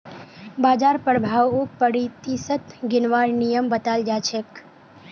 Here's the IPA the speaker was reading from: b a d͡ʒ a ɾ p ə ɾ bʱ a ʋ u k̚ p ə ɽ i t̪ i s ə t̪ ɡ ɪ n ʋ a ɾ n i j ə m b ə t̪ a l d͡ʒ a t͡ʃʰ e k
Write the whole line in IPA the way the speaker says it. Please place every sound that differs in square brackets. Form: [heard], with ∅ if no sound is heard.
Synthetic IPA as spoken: b a d͡ʒ a ɾ p ə ɾ bʱ a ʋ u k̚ p ə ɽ i t̪ i s ə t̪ ɡ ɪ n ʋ a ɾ n i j ə m b ə t̪ a l d͡ʒ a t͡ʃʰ e k